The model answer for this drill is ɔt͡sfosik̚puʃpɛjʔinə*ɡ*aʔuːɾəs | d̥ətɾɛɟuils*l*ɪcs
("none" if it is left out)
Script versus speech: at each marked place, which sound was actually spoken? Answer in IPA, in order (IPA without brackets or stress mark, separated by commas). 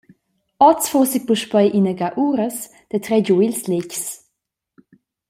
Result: ɡ, l